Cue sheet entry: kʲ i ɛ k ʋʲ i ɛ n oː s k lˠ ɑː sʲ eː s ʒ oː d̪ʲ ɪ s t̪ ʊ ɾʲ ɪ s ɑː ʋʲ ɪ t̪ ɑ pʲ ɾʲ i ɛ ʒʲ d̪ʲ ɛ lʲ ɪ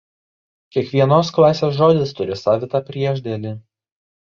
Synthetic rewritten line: kʲ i ɛ k ʋʲ i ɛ n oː s k lˠ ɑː sʲ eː s ʒ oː d̪ʲ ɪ s t̪ ʊ ɾʲ ɪ s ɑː ʋʲ ɪ t̪ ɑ pʲ ɾʲ i ɛ ʒʲ d̪ʲ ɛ lʲ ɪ